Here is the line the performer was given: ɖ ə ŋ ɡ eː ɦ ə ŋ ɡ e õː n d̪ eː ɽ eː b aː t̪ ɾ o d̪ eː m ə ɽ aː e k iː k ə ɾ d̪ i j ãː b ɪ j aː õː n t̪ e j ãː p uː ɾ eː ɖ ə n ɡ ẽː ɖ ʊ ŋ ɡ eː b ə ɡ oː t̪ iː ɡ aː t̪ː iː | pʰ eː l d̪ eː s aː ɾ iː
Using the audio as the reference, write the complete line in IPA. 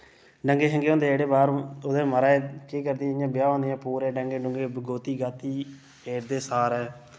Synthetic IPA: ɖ ə ŋ ɡ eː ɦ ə ŋ ɡ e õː n d̪ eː ɽ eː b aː ɾ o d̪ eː m ə ɾ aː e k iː k ə ɾ d̪ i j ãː b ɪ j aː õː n d̪ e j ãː p uː ɾ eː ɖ ə ŋ ɡ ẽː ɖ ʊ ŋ ɡ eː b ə ɡ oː t̪ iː ɡ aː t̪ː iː | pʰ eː ɾ d̪ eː s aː ɾ ɛː